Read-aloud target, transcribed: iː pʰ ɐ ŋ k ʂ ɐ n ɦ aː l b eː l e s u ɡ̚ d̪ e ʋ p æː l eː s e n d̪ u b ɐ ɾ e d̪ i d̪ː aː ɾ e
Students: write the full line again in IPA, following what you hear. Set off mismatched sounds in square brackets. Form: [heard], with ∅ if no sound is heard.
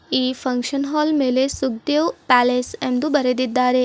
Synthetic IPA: iː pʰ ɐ ŋ k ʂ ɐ n ɦ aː l [m] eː l e s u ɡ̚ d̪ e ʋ p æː l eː s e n d̪ u b ɐ ɾ e d̪ i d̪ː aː ɾ e